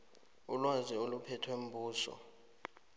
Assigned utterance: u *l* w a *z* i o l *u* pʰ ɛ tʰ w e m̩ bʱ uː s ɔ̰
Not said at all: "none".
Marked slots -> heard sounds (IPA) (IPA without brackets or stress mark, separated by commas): l, z, u